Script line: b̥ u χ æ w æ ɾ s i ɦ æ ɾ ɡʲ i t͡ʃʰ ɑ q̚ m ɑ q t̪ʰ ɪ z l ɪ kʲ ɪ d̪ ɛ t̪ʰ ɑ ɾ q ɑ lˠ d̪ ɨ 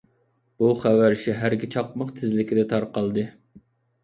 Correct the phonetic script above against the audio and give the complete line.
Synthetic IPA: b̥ u χ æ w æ ɾ ʃ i ɦ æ ɾ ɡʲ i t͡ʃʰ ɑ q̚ m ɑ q t̪ʰ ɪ z l ɪ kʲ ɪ d̪ ɛ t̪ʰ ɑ ɾ q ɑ lˠ d̪ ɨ